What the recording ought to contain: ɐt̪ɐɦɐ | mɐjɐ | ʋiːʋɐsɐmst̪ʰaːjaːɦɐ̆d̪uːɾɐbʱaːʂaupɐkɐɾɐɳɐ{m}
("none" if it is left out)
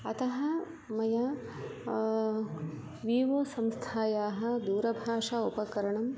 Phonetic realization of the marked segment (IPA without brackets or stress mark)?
m